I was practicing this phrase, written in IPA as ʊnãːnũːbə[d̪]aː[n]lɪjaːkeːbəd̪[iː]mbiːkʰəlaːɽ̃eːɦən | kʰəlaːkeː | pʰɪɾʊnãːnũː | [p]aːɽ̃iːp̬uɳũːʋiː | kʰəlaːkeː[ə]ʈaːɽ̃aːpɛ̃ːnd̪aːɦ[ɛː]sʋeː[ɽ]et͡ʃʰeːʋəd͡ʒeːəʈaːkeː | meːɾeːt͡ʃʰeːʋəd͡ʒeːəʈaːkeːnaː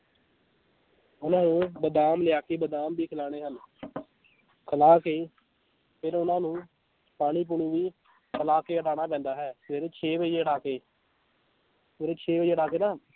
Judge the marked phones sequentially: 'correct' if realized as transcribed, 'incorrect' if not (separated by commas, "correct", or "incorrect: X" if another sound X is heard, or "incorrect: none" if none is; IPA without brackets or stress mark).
correct, incorrect: m, incorrect: aː, correct, correct, correct, incorrect: ɾ